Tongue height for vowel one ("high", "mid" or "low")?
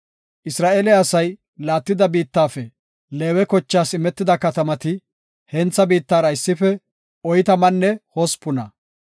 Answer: high